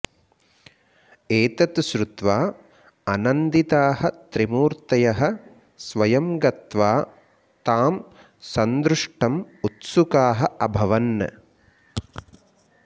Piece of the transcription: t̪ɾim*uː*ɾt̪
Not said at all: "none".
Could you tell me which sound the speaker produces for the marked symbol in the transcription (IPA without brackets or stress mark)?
uː